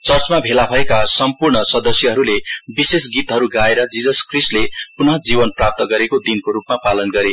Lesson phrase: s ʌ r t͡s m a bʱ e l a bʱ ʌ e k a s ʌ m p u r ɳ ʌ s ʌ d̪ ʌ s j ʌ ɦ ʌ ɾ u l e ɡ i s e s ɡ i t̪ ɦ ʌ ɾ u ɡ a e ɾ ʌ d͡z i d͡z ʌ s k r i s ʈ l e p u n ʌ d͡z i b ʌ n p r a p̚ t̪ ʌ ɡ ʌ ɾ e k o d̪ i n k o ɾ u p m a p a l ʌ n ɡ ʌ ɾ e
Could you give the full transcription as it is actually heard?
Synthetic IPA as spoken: t͡s ʌ r t͡s m a bʱ e l a bʱ ʌ e k a s ʌ m p u r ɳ ʌ s ʌ d̪ ʌ s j ʌ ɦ ʌ ɾ u l e b i s e s ɡ i t̪ ɦ ʌ ɾ u ɡ a e ɾ ʌ d͡z i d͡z ʌ s k r i s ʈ l e p u n ʌ d͡z i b ʌ n p r a p̚ t̪ ʌ ɡ ʌ ɾ e k o d̪ i n k o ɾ u p m a p a l ʌ n ɡ ʌ ɾ e